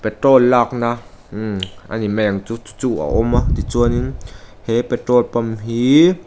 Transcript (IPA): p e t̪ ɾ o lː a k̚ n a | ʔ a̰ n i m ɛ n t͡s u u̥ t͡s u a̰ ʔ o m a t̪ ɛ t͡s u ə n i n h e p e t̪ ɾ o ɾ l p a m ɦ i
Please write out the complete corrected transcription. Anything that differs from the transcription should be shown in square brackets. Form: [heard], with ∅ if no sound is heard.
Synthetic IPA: p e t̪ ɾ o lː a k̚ n a | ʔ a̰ n i m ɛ [ŋ] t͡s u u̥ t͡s u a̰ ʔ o m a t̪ [i] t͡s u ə n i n h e p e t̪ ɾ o [∅] l p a m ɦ i